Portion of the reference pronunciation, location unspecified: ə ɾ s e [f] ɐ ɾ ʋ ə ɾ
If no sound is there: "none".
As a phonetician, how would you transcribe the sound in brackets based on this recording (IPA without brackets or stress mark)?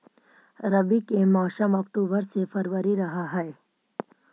f